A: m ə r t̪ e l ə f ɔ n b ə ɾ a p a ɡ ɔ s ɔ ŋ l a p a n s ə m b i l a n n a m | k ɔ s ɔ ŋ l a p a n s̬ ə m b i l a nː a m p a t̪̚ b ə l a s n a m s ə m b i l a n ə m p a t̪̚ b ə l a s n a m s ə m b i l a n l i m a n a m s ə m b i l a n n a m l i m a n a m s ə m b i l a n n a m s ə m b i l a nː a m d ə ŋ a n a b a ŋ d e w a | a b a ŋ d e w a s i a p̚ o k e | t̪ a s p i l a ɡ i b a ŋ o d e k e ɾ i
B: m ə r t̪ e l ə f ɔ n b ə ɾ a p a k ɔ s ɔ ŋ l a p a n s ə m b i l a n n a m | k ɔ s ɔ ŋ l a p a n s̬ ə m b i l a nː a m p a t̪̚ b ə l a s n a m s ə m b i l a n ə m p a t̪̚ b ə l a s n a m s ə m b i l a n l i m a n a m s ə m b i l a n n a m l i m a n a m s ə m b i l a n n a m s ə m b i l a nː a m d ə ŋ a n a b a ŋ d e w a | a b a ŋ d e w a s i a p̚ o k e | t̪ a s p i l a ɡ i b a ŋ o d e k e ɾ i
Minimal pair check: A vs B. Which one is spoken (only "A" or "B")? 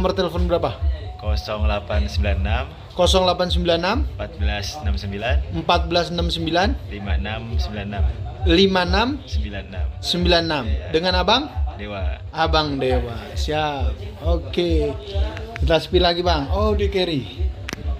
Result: B